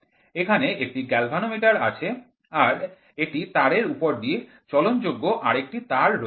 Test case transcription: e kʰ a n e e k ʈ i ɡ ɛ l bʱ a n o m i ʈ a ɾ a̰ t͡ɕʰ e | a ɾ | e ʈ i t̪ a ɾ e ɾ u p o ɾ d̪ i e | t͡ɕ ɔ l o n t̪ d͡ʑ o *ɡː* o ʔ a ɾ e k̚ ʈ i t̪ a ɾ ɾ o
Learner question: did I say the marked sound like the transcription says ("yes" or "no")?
yes